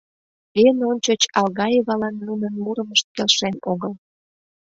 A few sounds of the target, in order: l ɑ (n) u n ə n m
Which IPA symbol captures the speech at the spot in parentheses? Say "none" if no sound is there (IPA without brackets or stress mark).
nː